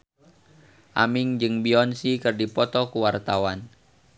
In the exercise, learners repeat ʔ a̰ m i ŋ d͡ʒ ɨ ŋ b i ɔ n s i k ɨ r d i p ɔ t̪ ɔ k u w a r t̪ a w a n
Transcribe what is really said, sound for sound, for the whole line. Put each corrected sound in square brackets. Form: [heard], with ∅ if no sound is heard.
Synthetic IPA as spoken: ʔ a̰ m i ŋ d͡ʒ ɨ ŋ b i ɔ n s i k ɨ r d i p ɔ t̪ ɔ k u w a r t̪ a w a n